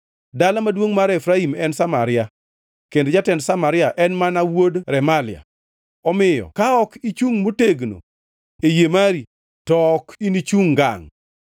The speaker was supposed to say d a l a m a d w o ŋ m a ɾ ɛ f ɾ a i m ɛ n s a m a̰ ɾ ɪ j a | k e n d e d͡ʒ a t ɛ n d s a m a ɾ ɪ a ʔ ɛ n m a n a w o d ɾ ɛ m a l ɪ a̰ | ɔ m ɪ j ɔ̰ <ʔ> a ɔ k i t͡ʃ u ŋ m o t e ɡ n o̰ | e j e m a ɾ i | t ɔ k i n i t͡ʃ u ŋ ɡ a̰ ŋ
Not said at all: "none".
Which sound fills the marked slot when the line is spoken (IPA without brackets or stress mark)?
k